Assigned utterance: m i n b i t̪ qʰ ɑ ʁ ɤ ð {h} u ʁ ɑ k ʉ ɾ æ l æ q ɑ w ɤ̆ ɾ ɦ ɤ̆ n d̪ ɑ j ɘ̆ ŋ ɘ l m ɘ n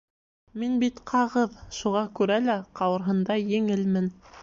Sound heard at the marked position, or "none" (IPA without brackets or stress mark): ʃ